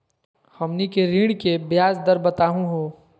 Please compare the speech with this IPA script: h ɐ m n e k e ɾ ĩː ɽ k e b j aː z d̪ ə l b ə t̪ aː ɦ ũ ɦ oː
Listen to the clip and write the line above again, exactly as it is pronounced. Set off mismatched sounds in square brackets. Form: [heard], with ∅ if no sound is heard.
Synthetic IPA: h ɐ m n [i] k e ɾ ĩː ɽ k e b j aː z d̪ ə [ɾ] b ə t̪ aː ɦ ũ ɦ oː